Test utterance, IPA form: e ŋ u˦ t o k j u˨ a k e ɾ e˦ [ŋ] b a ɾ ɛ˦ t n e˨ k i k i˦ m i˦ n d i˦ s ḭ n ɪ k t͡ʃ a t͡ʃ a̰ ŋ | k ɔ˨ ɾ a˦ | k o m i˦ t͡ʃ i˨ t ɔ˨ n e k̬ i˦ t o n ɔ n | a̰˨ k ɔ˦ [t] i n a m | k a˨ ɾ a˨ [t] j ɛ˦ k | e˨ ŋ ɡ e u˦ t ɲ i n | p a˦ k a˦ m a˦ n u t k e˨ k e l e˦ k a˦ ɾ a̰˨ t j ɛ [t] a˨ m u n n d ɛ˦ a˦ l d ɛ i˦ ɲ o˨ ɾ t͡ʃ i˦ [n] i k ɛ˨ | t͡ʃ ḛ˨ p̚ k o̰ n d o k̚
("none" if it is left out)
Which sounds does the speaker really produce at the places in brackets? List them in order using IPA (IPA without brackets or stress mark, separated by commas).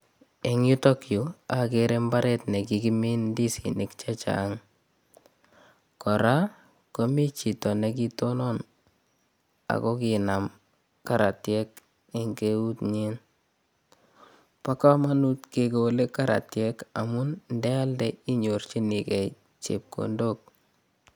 m, k, t, k, n